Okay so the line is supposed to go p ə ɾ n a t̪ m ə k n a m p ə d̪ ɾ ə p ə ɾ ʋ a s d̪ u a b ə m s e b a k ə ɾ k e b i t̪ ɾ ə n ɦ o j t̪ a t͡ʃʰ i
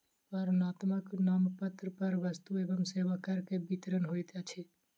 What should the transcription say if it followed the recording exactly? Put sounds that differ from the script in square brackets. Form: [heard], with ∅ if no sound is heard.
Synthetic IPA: p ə ɾ n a t̪ m ə k n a m p ə [t̪] ɾ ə p ə ɾ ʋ [ə] s [t̪] u [e] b ə m s e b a k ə ɾ k e b i t̪ ɾ ə n ɦ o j t̪ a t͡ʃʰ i